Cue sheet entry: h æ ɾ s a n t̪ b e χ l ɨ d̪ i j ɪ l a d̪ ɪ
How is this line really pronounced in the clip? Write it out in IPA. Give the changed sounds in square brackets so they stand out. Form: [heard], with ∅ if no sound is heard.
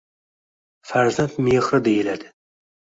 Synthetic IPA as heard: [f] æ ɾ [z] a n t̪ [m] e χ [ɾ] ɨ d̪ [e] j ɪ l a d̪ ɪ